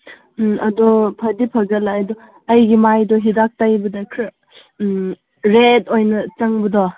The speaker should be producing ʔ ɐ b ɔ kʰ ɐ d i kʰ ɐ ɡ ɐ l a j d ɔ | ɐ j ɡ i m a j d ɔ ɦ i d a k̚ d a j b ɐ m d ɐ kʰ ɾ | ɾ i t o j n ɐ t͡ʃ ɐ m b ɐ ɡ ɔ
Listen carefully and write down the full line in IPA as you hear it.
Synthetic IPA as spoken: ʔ ɐ d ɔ pʰ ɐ d i pʰ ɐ ɡ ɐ l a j d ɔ | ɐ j ɡ i m a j d ɔ ɦ i d a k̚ t a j b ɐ d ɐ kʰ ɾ | ɾ e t o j n ɐ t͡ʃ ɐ ŋ b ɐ d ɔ